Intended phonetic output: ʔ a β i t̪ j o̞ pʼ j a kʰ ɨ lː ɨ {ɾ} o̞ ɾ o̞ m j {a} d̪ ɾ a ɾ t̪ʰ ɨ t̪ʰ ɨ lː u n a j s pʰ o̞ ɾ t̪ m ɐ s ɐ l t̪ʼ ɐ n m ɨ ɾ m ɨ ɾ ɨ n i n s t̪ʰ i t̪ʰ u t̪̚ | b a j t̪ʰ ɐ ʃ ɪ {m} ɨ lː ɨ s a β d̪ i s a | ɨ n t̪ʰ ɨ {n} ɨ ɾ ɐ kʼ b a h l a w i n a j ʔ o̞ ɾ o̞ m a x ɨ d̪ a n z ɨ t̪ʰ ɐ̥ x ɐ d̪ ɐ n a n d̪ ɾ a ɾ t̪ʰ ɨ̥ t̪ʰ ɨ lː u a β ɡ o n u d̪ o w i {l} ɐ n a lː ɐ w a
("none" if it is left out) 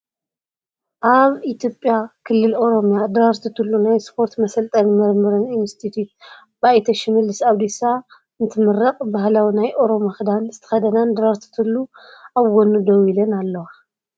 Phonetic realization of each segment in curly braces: l, a, m, m, l

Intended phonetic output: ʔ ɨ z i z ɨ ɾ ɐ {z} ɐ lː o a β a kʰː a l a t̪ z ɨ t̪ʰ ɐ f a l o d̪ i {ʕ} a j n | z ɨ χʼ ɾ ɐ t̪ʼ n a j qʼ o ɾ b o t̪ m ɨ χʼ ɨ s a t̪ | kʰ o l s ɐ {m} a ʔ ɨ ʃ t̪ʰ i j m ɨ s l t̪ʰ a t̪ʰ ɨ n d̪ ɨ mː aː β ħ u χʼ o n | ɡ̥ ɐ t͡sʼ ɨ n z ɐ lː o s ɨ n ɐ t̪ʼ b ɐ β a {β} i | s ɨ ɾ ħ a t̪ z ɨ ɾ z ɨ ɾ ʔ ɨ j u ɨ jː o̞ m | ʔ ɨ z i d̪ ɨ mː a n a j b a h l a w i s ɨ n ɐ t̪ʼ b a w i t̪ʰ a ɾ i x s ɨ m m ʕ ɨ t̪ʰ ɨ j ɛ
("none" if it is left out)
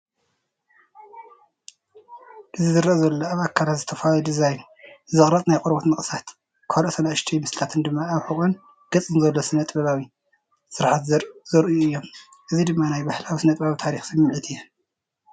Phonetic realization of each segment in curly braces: z, z, n, w

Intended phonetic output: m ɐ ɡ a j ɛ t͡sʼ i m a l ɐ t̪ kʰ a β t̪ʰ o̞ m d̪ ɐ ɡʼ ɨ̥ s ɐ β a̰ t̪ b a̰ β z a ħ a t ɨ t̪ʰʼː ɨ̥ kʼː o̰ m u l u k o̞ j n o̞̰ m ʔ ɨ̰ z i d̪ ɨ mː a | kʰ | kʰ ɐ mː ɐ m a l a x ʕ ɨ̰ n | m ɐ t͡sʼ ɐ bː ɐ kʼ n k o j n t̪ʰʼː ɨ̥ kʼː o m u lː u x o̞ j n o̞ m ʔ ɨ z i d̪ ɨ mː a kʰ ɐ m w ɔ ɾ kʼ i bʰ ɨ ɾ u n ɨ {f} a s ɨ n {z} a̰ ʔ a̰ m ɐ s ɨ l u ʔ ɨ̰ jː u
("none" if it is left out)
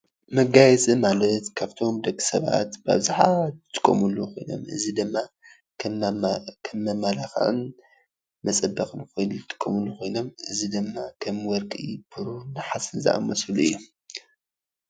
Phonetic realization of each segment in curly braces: ħ, z

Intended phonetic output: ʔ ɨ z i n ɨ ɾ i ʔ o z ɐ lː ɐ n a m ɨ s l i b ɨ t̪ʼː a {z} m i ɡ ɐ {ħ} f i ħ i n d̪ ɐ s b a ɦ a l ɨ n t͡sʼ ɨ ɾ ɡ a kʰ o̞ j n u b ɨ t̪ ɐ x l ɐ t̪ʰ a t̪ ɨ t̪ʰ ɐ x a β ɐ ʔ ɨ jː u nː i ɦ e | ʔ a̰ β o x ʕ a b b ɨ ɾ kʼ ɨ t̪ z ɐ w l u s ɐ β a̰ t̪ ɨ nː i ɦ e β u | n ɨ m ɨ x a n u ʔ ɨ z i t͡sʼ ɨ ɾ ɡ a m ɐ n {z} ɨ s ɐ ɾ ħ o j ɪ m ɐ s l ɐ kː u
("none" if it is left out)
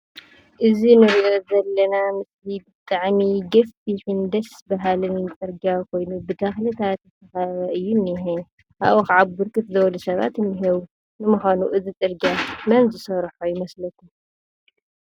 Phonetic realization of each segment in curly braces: ʕ, f, z

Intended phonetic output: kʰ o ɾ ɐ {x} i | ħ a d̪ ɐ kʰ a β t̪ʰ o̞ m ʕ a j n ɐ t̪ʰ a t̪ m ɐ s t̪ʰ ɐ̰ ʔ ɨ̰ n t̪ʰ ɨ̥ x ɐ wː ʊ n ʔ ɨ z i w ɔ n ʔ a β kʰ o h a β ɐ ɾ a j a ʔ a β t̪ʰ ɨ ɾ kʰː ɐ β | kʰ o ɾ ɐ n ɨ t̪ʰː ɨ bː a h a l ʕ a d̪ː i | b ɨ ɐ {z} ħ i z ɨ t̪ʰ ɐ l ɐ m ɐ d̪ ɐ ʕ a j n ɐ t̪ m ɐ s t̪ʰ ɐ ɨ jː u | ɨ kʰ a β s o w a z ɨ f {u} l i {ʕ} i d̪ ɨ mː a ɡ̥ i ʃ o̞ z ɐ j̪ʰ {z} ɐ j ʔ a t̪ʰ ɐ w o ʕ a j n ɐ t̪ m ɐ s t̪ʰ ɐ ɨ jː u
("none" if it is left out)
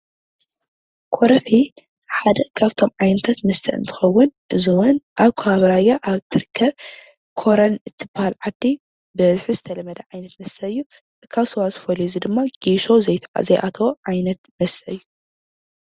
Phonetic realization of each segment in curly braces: f, z, o, z, z

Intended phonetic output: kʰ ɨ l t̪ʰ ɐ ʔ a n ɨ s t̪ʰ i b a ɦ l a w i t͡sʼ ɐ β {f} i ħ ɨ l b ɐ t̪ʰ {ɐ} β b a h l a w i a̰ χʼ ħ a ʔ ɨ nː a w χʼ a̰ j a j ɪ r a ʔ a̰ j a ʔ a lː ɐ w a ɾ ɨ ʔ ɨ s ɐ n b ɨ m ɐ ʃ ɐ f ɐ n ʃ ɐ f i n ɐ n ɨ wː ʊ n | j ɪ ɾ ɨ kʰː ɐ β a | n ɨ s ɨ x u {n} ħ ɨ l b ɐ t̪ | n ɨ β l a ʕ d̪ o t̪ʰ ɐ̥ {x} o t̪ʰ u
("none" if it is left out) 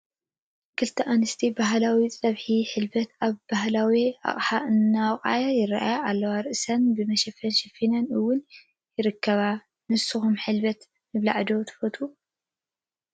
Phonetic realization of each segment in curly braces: ħ, a, m, f

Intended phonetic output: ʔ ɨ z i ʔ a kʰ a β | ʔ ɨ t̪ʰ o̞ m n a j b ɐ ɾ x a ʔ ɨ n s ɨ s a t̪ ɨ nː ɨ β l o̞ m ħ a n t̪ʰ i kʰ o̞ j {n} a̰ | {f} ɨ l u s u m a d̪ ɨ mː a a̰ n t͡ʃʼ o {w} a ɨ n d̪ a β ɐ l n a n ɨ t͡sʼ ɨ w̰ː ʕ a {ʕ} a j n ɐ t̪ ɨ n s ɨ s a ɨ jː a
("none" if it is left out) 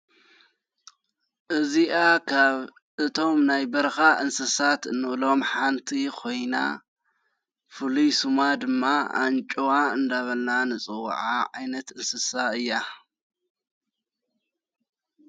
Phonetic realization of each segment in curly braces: n, f, w, ʕ

